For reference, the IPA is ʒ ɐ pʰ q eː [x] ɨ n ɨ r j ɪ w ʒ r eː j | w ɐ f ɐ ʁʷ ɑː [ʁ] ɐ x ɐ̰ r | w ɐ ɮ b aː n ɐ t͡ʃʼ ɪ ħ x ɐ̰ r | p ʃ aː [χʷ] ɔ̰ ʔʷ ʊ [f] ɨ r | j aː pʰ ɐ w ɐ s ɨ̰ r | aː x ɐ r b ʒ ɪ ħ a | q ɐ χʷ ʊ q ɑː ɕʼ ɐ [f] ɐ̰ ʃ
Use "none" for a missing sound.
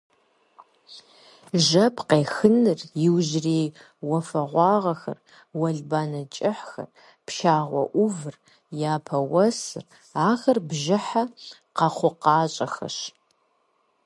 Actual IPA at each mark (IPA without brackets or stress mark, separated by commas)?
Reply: x, ʁ, ʁʷ, v, x